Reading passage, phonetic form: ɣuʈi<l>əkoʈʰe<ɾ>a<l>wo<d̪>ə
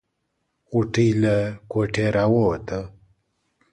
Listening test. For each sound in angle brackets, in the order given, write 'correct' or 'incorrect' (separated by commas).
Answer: correct, correct, incorrect, incorrect